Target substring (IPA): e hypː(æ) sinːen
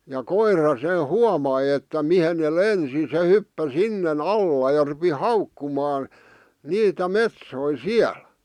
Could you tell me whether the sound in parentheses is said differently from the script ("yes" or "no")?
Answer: no